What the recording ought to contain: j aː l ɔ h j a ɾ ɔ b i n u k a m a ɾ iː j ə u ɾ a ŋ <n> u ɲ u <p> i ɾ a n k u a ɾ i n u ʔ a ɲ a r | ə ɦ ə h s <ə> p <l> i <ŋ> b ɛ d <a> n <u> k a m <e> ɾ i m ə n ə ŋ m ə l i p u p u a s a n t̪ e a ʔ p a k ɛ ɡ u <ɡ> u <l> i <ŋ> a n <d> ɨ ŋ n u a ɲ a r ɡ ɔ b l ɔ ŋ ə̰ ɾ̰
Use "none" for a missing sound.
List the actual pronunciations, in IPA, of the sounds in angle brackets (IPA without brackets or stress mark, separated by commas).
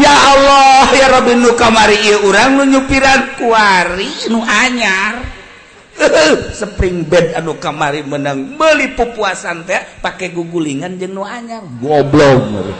n, p, ə, ɾ, ŋ, a, u, a, ɡ, l, ŋ, d͡ʒ